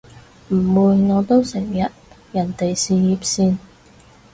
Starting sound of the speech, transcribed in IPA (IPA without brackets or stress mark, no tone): m̩